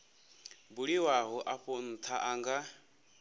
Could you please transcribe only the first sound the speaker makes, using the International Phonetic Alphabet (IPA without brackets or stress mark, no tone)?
b